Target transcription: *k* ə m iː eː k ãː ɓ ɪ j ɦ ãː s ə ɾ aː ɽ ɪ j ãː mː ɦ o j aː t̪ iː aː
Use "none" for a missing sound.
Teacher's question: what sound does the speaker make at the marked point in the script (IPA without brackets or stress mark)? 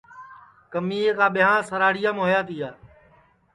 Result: k